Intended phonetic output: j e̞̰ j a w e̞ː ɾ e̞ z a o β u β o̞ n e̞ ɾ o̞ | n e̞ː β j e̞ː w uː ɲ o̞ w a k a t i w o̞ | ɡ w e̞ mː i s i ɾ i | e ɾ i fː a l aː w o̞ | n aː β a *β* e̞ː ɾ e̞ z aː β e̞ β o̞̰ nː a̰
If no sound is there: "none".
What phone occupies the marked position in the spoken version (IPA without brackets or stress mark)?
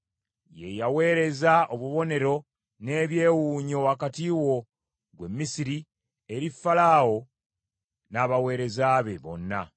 w